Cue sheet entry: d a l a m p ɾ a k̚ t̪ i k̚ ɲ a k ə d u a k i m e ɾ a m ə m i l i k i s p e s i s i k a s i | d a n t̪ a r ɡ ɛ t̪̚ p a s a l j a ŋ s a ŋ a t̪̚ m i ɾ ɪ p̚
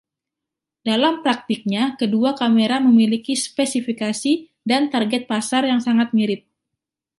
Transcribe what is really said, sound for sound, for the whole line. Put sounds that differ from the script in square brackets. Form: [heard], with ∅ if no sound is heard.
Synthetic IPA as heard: d a l a m p ɾ a k̚ t̪ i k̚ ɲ a k ə d u a k [a] m e ɾ a m ə m i l i k i s p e s i [f] i k a s i | d a n t̪ a r ɡ ɛ t̪̚ p a s a [r] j a ŋ s a ŋ a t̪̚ m i ɾ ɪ p̚